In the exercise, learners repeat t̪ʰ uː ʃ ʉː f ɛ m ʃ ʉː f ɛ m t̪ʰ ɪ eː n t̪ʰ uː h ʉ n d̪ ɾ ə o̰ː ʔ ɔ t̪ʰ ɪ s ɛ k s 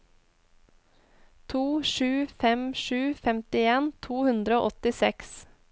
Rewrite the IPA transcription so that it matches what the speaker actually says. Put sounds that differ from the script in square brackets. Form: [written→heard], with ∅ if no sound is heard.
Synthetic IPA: t̪ʰ uː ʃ ʉː f ɛ m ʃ ʉː f ɛ m [t̪ʰ→t̪] ɪ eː n t̪ʰ uː h ʉ n d̪ ɾ ə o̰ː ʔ ɔ [t̪ʰ→t̪] ɪ s ɛ k s